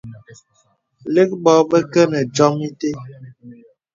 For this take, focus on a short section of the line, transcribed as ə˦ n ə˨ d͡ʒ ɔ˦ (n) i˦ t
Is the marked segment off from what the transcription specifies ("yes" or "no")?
yes